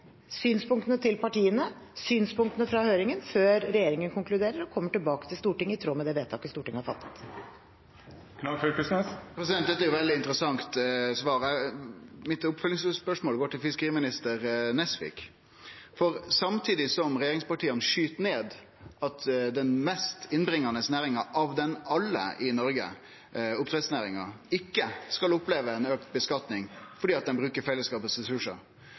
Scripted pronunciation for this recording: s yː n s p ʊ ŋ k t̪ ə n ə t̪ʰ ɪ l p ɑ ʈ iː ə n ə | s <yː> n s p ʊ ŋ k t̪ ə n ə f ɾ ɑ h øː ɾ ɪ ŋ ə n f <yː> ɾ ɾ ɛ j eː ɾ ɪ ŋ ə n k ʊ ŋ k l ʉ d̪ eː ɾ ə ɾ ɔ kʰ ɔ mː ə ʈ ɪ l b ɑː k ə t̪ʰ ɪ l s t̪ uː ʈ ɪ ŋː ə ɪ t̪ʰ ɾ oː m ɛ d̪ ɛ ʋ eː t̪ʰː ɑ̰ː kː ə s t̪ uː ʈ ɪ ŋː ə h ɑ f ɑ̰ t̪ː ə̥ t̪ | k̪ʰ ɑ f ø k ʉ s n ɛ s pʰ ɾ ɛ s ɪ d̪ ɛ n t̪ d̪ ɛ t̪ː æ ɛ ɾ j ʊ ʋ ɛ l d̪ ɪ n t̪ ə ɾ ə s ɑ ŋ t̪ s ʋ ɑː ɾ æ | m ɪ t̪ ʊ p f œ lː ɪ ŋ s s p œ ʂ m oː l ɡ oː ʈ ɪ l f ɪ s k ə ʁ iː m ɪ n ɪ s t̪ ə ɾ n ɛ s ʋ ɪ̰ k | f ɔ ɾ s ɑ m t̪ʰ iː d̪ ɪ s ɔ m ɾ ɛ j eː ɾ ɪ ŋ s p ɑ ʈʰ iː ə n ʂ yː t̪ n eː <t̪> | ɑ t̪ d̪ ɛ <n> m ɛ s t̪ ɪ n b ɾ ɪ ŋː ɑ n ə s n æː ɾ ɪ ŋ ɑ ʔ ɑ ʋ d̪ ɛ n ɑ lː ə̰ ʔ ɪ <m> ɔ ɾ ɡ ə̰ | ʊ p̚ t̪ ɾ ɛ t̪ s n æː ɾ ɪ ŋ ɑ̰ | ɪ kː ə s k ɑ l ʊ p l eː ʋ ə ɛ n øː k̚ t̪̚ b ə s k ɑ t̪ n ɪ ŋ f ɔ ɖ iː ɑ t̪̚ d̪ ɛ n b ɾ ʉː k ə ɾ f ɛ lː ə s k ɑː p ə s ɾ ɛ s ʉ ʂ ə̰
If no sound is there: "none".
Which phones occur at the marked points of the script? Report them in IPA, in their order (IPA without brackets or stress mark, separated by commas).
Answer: yː, øː, d̪, n, n